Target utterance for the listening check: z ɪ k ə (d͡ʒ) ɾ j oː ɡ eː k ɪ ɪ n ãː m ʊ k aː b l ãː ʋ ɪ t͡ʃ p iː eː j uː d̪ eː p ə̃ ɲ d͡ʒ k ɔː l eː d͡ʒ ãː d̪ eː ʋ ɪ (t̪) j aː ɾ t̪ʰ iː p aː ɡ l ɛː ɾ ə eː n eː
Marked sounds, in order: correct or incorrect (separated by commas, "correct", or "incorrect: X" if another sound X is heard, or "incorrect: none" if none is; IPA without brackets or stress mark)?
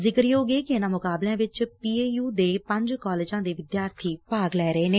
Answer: incorrect: none, incorrect: d̪